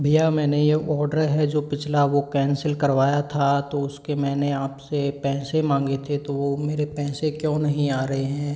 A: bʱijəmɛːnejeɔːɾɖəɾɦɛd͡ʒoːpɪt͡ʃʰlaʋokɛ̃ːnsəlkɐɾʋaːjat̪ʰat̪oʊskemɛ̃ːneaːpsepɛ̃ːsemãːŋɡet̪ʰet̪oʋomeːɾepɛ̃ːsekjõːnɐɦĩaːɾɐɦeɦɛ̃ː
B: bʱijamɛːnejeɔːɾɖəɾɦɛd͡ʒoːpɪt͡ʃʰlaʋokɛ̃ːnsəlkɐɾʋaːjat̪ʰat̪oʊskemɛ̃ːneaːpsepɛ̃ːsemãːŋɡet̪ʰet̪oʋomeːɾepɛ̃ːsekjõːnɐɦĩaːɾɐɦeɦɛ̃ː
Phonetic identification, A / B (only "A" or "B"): B